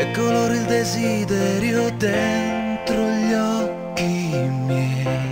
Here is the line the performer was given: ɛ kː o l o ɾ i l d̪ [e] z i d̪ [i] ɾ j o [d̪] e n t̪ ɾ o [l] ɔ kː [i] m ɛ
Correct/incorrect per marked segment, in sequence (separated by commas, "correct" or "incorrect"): correct, incorrect, correct, incorrect, correct